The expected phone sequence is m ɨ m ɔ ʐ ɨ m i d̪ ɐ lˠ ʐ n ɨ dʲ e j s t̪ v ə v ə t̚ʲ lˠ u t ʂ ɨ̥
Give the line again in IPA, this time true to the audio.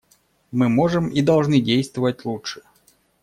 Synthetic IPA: m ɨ m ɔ ʐ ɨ m i d̪ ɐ lˠ ʐ n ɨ dʲ e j s t̪ v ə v ə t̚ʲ lˠ u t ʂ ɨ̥